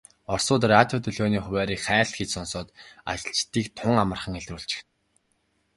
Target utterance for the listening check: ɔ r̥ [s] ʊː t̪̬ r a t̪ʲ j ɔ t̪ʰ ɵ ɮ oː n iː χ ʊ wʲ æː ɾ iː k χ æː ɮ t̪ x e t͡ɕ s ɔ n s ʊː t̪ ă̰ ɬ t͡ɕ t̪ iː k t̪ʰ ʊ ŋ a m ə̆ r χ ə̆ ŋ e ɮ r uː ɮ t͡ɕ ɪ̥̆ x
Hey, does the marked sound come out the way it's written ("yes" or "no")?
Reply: yes